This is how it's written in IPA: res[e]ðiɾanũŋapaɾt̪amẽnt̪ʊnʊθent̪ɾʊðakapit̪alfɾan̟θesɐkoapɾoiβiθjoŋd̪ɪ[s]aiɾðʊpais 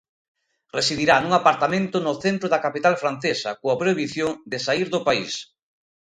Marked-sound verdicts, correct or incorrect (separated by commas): incorrect, correct